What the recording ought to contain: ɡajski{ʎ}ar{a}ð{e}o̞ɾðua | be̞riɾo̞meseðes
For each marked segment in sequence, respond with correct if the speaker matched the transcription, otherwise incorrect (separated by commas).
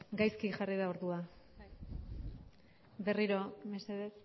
incorrect, incorrect, incorrect